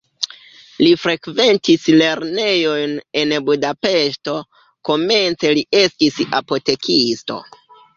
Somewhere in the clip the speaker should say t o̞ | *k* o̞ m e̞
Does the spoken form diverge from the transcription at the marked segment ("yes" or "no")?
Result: no